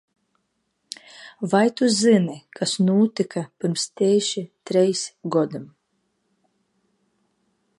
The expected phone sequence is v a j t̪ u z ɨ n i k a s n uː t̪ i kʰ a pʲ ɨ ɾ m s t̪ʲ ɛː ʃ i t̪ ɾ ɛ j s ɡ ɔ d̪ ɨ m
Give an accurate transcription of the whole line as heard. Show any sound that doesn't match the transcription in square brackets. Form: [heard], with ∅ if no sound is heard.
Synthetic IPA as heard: v a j t̪ u z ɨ n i k a s n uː t̪ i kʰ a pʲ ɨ ɾ m s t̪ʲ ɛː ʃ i t̪ ɾ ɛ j s ɡ ɔ d̪ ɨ m